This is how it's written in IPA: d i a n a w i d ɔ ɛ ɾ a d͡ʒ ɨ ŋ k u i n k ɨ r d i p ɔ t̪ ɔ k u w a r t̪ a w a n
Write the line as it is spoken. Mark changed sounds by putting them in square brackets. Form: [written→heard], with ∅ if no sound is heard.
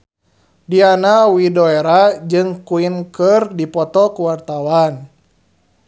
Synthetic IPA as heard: d i a n a w i d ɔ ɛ ɾ a d͡ʒ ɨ ŋ k u i n k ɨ r d i p ɔ t̪ ɔ k u w a r t̪ a w a n